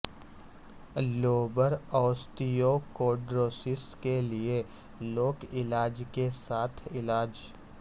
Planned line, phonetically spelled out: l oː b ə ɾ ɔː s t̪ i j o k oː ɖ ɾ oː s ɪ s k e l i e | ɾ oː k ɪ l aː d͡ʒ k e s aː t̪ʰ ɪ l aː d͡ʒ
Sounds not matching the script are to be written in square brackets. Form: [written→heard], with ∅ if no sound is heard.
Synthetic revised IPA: l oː b ə ɾ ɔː s t̪ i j o k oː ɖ ɾ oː s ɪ s k e l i e | [ɾ→l] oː k ɪ l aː d͡ʒ k e s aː t̪ʰ ɪ l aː d͡ʒ